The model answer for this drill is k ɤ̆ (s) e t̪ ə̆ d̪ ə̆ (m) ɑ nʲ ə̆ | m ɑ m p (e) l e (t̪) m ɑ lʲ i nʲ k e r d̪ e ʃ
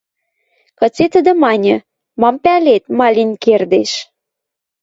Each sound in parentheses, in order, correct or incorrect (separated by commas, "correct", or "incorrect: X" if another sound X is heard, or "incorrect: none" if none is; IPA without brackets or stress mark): incorrect: t͡s, correct, incorrect: æ, correct